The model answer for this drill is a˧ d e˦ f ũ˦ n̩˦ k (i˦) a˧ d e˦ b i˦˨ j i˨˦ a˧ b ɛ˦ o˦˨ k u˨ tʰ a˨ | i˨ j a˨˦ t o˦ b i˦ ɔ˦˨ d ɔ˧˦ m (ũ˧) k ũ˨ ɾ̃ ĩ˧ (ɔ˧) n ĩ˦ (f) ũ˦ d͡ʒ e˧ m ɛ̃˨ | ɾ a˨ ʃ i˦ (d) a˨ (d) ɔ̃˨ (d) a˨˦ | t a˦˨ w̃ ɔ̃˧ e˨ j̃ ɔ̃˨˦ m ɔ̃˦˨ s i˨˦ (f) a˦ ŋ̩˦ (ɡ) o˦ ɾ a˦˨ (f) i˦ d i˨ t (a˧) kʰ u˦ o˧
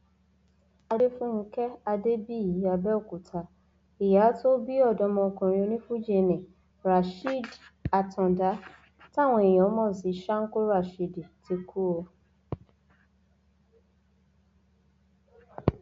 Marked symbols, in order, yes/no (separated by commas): no, no, no, yes, yes, no, yes, no, no, no, no